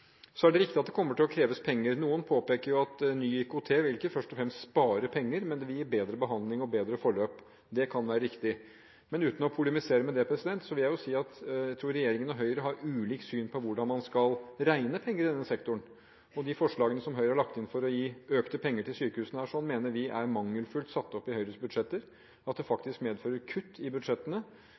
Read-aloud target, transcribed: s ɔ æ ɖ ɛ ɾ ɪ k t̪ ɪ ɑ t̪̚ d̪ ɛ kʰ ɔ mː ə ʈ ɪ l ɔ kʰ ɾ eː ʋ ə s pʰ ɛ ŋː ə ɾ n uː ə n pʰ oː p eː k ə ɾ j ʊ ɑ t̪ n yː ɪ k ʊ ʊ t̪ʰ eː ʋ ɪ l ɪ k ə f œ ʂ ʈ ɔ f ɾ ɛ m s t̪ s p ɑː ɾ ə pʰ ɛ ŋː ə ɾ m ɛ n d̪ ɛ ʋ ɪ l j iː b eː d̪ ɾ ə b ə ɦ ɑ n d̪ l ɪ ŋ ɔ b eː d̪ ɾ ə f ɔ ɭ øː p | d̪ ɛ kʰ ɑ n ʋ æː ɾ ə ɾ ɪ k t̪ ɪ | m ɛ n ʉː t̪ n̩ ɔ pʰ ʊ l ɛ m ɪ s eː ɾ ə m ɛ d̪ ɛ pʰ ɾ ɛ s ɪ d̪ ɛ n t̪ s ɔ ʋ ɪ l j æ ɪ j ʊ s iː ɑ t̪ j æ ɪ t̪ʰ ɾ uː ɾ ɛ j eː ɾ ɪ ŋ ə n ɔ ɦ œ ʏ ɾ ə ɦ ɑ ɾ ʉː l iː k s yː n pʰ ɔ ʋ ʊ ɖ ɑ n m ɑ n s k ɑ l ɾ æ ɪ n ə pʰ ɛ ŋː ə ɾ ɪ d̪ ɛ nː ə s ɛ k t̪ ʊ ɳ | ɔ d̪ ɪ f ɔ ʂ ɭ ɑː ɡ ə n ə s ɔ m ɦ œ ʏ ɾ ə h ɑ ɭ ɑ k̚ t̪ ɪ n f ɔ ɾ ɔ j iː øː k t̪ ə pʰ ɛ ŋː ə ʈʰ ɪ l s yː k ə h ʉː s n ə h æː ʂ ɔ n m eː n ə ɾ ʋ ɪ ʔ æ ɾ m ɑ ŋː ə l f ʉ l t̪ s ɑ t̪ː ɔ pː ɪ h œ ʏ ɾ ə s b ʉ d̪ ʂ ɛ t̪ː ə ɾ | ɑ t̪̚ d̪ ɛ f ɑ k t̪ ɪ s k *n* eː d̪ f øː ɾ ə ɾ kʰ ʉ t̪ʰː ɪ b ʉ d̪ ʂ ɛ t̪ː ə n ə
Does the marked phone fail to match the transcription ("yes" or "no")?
yes